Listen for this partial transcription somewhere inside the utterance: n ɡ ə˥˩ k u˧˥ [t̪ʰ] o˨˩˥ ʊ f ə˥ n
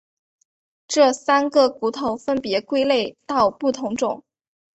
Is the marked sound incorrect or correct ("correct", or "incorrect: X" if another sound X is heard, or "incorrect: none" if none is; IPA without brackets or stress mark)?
correct